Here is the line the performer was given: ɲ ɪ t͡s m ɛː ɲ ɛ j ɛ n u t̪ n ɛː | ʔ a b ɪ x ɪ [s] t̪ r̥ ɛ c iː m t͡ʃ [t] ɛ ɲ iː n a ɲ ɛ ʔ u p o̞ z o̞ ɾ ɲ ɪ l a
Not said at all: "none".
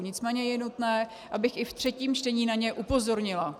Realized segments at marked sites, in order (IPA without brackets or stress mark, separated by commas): f, t